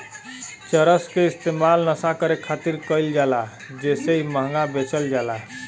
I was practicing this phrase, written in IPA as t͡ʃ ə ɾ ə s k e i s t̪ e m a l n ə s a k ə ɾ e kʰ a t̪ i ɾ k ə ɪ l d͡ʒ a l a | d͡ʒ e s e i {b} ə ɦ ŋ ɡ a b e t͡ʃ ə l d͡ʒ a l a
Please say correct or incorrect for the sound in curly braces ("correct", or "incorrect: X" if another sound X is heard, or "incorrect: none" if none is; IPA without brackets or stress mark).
incorrect: m